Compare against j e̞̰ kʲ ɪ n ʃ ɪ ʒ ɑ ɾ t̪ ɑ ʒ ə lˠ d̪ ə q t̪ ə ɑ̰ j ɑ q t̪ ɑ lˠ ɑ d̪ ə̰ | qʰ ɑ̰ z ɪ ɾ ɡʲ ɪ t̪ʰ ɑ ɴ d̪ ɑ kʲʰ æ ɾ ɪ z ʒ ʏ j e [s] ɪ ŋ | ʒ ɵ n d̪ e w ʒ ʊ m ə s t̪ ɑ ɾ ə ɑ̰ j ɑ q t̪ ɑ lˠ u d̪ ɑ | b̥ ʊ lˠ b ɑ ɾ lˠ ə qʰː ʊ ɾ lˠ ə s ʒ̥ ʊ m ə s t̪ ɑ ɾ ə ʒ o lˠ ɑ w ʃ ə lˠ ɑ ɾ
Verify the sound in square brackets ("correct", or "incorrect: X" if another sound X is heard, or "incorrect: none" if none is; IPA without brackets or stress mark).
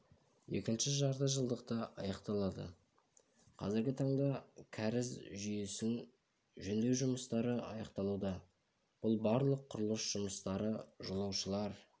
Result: correct